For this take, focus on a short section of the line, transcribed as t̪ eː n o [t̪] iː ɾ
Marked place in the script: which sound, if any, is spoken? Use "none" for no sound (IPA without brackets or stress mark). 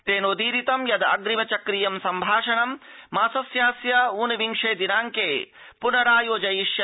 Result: d̪